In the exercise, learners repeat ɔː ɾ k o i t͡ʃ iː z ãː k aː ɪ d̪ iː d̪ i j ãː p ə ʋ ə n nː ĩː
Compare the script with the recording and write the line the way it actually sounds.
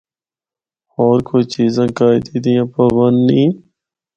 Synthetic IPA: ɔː ɾ k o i t͡ʃ iː z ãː k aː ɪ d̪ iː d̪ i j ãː p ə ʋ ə n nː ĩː